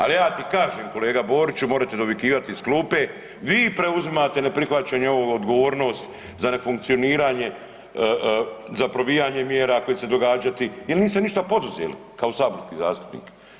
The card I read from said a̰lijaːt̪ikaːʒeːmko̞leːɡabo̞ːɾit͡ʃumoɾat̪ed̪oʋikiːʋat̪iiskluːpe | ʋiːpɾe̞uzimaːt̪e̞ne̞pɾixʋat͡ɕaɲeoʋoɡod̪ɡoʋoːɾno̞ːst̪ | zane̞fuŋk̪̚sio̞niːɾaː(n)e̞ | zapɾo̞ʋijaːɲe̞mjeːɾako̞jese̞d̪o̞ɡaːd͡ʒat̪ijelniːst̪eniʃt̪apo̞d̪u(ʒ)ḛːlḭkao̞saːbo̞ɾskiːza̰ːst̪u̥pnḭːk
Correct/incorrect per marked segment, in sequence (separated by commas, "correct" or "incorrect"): incorrect, incorrect